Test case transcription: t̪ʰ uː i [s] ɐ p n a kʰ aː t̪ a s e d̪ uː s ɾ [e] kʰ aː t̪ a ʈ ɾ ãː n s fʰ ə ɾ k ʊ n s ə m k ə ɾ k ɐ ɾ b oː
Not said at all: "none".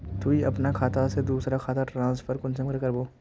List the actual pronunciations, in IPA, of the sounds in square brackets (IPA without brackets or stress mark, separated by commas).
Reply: none, a